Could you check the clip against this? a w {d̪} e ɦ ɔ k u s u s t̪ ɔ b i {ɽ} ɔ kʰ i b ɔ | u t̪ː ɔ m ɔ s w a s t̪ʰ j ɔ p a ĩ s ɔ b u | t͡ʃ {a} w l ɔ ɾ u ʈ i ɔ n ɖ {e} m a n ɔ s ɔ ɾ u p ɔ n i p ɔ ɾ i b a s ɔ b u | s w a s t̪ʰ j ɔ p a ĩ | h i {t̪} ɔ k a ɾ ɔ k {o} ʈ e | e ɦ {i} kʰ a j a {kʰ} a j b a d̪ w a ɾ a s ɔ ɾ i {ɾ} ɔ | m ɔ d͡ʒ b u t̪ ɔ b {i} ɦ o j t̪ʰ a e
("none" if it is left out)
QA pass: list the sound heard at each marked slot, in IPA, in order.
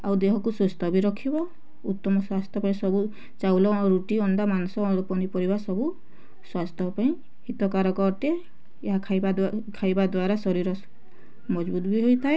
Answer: d̪, ɾ, a, a, t̪, ɔ, a, kʰ, ɾ, i

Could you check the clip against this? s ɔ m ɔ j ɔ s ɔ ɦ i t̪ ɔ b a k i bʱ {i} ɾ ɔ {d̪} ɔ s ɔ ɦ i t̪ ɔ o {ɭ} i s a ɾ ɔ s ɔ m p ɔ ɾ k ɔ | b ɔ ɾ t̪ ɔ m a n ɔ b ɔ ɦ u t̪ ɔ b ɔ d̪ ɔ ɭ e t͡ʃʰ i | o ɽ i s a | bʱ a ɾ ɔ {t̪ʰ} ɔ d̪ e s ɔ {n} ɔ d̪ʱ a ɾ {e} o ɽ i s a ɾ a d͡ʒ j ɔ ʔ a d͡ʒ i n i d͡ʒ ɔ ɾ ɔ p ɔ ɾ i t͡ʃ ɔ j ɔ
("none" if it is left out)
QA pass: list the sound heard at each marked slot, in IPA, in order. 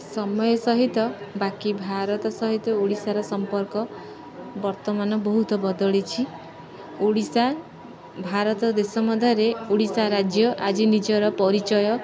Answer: a, t̪, ɽ, t̪, m, e

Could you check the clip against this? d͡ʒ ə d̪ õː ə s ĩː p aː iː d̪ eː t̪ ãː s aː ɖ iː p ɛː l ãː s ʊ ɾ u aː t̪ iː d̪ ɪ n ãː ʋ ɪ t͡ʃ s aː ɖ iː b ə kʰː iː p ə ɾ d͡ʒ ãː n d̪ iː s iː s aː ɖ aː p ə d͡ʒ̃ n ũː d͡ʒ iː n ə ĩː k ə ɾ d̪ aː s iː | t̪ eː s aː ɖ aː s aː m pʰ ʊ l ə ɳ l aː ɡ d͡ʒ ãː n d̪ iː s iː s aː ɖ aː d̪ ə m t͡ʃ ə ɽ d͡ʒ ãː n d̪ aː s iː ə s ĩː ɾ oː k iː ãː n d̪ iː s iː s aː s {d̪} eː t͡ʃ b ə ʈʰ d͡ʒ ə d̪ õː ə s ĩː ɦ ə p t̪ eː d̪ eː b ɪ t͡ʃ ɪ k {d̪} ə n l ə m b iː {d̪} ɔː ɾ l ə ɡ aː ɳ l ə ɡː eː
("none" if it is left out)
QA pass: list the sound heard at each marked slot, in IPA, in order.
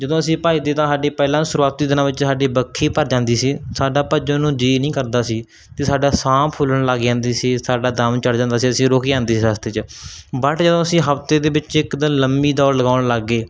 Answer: t̪, d̪, d̪

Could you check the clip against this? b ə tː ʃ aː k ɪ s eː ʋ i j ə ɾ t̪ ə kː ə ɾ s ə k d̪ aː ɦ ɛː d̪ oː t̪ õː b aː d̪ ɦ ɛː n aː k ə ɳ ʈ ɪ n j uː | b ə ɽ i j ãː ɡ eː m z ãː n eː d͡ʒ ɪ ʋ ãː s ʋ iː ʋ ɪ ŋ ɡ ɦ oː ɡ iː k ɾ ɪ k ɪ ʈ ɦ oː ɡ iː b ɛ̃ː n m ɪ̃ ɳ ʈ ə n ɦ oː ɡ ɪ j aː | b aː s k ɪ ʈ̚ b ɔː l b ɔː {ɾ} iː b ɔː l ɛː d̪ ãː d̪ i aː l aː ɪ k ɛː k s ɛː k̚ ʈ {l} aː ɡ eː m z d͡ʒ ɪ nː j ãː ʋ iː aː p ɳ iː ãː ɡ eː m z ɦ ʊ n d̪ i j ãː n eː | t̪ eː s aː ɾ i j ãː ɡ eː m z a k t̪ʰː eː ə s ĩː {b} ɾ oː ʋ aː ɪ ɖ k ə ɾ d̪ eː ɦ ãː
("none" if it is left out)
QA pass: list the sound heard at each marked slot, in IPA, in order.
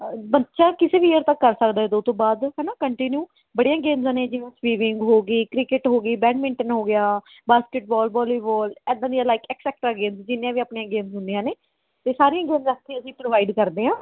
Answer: l, ɾ, p

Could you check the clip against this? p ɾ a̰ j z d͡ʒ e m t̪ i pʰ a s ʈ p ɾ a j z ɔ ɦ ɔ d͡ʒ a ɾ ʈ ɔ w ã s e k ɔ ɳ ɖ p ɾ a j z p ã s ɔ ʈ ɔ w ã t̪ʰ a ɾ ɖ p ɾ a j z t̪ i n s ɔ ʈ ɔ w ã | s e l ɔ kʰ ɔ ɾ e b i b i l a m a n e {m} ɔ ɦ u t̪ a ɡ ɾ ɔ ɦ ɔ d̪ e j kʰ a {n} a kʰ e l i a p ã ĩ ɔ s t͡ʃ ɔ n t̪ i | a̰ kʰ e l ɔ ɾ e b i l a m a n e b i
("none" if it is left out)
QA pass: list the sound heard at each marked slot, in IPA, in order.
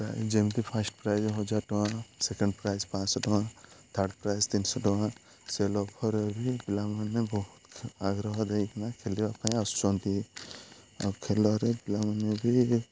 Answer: b, n

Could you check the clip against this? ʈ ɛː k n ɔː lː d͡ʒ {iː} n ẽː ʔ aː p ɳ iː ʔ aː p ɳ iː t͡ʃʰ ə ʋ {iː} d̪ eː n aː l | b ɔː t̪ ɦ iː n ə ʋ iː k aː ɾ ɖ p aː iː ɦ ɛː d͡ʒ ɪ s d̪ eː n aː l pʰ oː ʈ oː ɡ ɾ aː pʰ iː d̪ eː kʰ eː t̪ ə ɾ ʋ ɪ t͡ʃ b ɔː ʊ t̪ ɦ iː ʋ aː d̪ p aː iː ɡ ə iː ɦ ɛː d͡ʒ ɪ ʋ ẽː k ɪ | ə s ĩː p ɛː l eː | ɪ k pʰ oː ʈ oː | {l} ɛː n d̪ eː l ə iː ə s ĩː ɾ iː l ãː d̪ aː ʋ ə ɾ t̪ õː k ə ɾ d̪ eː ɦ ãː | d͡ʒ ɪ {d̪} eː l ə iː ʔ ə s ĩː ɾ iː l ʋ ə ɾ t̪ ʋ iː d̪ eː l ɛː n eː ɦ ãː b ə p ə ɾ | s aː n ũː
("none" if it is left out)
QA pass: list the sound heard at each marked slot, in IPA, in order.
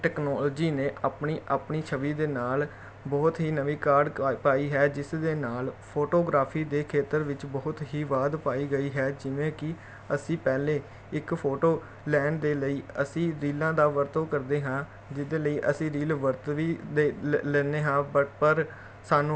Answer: iː, iː, l, d̪

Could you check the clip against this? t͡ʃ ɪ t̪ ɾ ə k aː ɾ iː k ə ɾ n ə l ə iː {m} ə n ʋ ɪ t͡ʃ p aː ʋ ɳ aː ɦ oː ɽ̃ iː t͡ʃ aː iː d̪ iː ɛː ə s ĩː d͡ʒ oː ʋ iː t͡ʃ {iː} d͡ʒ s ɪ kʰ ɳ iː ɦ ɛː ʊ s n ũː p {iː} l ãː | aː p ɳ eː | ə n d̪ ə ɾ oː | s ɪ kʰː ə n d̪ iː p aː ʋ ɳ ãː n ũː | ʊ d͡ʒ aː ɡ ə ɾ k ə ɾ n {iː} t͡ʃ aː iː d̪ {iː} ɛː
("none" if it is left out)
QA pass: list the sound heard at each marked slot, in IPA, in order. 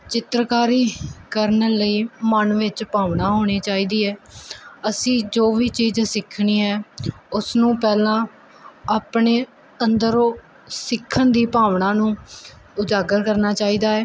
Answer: m, iː, ɛː, aː, aː

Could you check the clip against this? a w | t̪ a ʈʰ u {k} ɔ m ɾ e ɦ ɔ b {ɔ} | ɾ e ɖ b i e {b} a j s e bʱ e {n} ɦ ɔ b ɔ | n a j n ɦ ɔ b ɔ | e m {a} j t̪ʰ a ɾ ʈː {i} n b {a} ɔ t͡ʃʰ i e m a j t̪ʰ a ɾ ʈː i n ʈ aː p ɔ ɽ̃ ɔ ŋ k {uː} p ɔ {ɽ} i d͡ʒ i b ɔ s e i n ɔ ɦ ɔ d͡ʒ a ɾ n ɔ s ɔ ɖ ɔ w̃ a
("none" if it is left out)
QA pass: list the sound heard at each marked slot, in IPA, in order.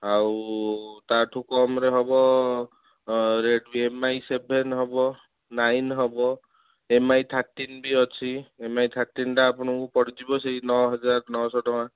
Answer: k, ɔ, m, n, a, i, i, u, ɽ

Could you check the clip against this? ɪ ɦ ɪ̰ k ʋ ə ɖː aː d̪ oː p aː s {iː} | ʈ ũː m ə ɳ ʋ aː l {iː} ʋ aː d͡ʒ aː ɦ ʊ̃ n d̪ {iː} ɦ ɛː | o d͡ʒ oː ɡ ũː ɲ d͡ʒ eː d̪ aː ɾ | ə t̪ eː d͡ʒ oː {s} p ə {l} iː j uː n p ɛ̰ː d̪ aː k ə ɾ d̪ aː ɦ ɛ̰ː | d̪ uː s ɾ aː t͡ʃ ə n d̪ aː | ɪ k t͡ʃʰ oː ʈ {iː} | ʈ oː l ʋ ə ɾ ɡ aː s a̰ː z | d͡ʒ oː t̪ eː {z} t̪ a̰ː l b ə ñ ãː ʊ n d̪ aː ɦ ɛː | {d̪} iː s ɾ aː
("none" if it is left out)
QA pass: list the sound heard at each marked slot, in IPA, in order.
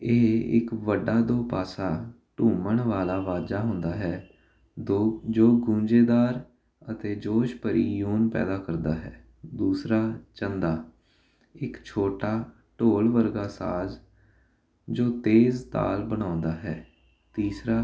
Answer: aː, aː, aː, ʃ, ɾ, aː, z, t̪

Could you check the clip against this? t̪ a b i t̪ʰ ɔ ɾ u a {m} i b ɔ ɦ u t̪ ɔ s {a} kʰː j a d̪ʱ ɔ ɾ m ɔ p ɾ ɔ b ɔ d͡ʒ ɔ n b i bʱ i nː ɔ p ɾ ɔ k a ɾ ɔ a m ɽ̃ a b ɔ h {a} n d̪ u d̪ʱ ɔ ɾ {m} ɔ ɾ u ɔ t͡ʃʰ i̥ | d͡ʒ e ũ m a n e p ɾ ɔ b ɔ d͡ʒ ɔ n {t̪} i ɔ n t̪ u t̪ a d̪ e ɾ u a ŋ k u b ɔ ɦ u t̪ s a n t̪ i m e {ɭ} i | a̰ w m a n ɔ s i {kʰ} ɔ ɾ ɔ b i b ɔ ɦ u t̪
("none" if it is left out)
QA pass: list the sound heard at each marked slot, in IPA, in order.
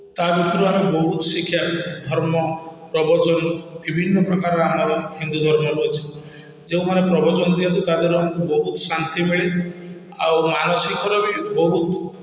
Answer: m, i, i, m, d̪, ɭ, k

